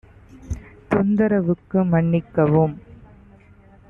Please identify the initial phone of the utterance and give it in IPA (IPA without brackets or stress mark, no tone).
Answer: t̪